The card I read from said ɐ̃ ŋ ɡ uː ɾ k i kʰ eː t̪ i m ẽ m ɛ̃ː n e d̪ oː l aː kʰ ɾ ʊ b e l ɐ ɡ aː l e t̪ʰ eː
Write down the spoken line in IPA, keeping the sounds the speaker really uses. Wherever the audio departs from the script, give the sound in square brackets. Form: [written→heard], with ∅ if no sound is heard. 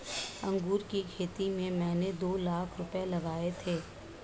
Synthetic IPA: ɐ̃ ŋ ɡ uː ɾ k i kʰ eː t̪ i m ẽ m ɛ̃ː n e d̪ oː l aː kʰ ɾ ʊ [b→p] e l ɐ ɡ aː [l→∅] e t̪ʰ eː